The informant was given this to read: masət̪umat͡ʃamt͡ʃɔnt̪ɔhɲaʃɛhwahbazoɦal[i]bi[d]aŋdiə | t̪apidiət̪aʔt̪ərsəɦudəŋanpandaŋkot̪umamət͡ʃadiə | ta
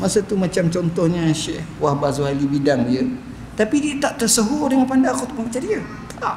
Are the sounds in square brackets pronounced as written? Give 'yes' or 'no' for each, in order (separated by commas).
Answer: yes, yes